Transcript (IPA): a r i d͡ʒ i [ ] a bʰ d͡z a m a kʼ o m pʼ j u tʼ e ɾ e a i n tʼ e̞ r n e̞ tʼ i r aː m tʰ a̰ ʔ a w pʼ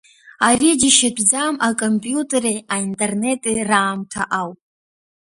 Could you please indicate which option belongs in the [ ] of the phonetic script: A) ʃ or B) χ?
A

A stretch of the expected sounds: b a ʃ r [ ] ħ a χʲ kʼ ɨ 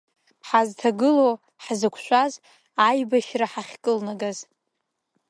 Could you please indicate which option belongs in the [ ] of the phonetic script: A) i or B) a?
B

